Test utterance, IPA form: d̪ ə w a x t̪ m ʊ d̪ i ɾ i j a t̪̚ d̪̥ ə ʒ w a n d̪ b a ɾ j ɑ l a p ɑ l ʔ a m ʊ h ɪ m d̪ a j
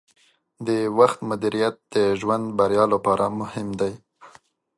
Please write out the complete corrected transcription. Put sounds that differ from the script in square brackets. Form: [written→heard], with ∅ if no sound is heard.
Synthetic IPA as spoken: d̪ ə w a x t̪ m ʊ d̪ i ɾ i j a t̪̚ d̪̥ ə ʒ w a n d̪ b a ɾ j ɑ l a p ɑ [l→ɾ] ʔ a m ʊ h ɪ m d̪ a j